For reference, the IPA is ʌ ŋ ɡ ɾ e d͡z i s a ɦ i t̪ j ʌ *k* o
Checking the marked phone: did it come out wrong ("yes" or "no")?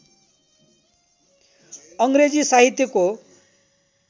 no